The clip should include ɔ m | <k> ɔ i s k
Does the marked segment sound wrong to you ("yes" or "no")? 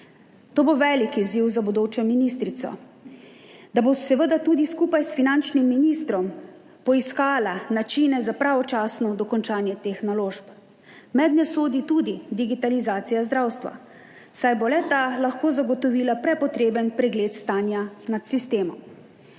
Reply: yes